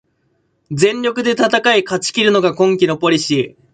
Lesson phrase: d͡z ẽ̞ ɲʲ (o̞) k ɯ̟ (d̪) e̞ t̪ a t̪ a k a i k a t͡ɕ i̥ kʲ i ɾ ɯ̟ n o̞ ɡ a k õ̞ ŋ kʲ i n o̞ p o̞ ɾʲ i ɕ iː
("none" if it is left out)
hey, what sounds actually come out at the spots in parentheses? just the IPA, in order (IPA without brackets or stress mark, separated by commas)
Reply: o̞, d̪